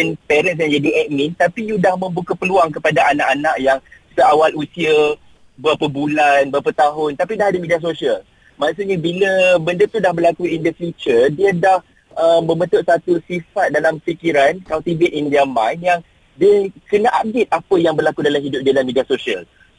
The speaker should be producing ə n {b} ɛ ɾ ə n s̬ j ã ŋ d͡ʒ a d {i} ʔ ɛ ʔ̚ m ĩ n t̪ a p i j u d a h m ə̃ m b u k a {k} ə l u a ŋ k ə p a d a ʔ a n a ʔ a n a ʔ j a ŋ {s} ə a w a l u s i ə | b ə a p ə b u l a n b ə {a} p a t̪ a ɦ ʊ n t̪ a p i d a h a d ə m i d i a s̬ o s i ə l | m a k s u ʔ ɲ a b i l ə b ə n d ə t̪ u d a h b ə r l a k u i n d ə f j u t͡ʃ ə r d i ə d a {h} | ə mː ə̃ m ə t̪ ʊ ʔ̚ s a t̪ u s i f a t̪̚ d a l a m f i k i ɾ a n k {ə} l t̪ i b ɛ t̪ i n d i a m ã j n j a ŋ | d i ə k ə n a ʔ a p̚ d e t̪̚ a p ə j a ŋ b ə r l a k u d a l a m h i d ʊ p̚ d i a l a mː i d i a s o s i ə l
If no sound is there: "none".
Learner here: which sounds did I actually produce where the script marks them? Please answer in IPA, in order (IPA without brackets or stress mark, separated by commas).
p, i, p, s, a, h, a